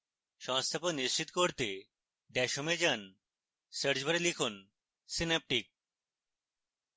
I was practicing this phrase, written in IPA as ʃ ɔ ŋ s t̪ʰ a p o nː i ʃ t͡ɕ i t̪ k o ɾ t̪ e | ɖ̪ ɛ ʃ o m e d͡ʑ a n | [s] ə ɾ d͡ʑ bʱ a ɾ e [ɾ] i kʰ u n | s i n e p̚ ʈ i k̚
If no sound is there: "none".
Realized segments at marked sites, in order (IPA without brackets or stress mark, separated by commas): s, l